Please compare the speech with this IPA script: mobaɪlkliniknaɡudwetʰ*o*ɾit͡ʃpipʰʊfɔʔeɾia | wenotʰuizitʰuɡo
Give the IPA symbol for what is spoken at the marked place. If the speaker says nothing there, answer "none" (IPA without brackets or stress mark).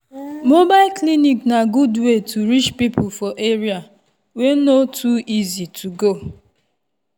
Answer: u